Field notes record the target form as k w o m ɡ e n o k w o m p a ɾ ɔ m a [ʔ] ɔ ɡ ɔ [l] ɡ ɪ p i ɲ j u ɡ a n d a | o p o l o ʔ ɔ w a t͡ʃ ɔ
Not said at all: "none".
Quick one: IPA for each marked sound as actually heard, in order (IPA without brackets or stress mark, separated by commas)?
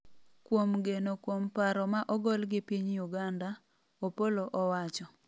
ʔ, l